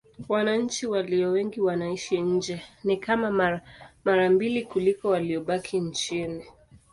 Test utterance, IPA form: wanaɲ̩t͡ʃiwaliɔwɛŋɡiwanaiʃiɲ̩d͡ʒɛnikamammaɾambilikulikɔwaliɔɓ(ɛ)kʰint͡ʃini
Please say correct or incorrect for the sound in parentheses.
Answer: incorrect: a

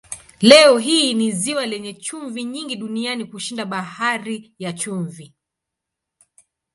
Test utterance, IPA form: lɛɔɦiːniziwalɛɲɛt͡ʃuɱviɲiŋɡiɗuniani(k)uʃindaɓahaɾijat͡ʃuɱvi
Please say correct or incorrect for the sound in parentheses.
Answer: correct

